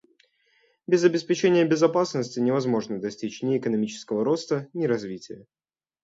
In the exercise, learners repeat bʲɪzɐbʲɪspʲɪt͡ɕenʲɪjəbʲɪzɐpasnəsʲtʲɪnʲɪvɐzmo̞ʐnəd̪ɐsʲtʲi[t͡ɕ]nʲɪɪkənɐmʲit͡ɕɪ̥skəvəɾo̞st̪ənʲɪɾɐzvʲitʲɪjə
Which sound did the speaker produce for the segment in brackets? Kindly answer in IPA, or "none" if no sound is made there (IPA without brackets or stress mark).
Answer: t͡ɕ